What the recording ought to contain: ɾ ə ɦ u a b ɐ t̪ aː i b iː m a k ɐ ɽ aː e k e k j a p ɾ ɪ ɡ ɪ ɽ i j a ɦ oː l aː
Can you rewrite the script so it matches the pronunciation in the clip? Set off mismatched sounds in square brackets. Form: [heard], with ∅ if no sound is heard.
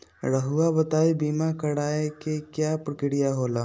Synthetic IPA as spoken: ɾ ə ɦ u a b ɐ t̪ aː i b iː m a k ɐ ɽ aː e k e k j a p ɾ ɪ [k] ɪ ɽ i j a ɦ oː l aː